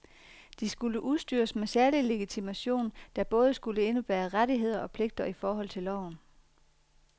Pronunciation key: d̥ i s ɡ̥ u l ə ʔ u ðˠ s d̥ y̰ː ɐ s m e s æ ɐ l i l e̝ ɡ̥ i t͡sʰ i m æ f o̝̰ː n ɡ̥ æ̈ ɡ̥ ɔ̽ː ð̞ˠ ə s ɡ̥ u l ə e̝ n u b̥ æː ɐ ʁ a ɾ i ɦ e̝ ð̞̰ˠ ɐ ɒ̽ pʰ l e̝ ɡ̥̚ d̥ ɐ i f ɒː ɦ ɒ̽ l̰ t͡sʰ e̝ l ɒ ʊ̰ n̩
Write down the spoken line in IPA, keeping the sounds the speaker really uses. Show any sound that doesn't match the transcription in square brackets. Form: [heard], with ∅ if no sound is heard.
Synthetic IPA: d̥ i s ɡ̥ u l ə ʔ u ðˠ s d̥ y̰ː ɐ s m e s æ ɐ l i l e̝ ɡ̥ i t͡sʰ i m æ [ɕ] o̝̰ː n [d̥] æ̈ [b̥] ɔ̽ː ð̞ˠ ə s ɡ̥ u l ə e̝ n u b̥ æː ɐ ʁ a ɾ i ɦ e̝ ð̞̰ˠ ɐ ɒ̽ pʰ l e̝ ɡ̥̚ d̥ ɐ i f ɒː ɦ ɒ̽ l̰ t͡sʰ e̝ l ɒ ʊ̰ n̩